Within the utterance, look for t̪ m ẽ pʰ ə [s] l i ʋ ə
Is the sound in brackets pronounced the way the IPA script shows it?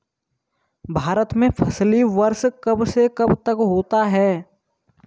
yes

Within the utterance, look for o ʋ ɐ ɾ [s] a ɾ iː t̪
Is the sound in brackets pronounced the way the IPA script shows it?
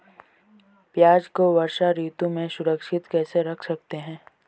no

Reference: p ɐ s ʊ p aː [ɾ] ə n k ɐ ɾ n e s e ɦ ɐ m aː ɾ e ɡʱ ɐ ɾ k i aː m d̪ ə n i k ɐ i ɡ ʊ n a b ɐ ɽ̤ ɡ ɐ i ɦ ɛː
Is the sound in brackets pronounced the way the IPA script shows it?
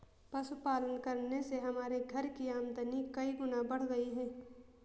no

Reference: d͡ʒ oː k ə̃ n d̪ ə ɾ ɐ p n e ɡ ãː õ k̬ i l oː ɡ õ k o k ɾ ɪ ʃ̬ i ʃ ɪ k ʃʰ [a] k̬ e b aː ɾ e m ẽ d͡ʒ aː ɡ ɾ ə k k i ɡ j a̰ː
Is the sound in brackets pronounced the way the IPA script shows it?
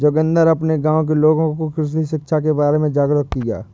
yes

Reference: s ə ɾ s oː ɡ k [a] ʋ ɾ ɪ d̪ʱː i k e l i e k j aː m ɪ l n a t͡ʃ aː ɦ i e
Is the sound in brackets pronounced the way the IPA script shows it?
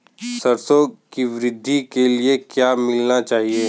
no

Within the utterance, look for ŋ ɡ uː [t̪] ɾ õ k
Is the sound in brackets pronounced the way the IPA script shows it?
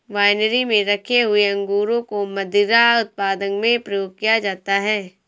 no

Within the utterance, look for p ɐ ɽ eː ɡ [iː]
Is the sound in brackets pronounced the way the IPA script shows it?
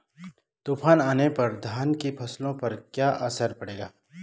no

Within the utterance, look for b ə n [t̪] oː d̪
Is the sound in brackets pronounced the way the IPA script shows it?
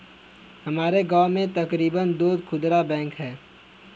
no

